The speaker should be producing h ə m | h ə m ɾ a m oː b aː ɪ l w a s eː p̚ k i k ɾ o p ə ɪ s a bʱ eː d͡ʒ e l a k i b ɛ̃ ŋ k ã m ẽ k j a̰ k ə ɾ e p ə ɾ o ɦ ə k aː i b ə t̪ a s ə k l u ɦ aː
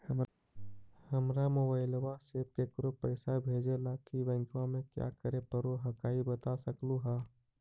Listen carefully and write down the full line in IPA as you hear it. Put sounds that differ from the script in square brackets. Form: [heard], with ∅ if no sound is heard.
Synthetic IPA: h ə m | h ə m ɾ a m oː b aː ɪ l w a s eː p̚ k [e] k ɾ o p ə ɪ s a bʱ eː d͡ʒ e l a k i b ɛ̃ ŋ k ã m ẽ k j a̰ k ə ɾ e p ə ɾ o ɦ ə k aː i b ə t̪ a s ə k l u ɦ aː